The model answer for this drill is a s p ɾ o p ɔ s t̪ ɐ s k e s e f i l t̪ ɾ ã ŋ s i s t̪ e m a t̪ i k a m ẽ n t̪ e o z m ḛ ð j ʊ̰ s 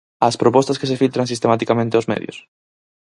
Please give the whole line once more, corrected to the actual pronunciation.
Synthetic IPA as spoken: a s p ɾ o p ɔ s t̪ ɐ s k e s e f i l t̪ ɾ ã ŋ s i s t̪ e m a t̪ i k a m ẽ n t̪ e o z m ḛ ð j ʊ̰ s